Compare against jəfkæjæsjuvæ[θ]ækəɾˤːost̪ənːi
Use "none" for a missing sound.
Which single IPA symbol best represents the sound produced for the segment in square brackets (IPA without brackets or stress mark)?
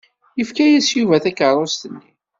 θ